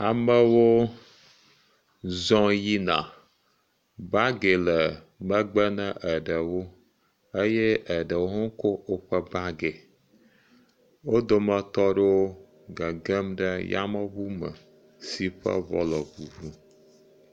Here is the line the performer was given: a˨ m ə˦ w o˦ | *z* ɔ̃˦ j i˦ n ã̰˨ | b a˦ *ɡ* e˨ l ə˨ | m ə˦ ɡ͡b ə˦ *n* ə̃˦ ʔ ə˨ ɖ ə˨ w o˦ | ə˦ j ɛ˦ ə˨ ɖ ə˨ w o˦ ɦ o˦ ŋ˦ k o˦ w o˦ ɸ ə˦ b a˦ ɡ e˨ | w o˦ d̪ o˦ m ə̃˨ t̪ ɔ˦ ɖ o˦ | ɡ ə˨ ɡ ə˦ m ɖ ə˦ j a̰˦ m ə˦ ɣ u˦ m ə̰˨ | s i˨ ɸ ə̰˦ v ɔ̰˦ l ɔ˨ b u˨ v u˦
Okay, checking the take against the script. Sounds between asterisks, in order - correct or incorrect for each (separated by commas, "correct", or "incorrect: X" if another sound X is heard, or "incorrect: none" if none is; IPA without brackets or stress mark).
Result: correct, correct, correct